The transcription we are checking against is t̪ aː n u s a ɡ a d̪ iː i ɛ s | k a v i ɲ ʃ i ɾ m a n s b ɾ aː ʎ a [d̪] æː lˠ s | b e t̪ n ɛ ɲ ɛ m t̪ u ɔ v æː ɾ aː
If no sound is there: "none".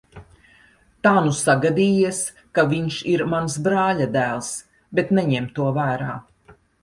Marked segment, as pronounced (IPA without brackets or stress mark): d̪